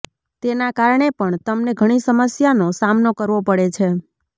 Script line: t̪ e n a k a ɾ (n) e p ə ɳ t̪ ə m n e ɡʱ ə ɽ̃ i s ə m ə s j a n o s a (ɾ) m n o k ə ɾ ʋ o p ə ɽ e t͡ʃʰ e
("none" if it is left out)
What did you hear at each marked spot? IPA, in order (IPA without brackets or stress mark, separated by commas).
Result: ɳ, none